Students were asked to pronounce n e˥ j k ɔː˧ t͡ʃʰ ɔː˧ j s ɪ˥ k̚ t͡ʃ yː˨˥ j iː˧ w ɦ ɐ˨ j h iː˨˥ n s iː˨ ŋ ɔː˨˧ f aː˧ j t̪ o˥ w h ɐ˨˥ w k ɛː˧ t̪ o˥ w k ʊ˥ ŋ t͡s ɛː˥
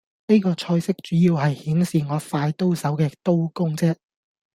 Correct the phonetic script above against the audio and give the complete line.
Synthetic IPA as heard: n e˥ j k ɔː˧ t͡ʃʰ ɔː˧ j s ɪ˥ k̚ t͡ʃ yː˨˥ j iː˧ w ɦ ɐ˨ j h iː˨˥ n s iː˨ ŋ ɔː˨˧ f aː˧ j t̪ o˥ w s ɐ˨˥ w k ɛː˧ t̪ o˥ w k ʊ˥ ŋ t͡s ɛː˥